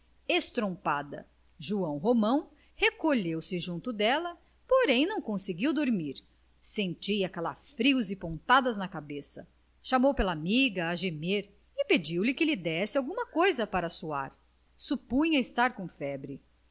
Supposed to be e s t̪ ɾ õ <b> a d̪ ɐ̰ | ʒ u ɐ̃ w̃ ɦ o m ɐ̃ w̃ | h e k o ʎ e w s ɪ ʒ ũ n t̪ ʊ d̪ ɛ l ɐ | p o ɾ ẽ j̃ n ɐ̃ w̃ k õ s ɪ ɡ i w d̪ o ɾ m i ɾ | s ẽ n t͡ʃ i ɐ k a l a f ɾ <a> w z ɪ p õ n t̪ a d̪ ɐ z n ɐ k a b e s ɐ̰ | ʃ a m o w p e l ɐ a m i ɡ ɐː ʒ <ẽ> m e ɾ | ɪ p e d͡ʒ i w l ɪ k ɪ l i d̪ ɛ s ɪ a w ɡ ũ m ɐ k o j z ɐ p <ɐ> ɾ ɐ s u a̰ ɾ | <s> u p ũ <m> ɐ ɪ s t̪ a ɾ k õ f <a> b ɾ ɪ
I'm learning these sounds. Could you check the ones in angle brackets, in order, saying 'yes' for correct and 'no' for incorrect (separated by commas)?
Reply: no, no, no, no, yes, no, no